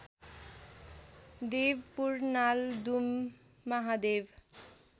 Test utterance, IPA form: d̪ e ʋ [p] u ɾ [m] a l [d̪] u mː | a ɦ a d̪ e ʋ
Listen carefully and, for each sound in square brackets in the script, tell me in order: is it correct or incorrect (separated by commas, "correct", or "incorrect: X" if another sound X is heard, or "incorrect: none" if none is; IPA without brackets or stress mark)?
correct, incorrect: n, correct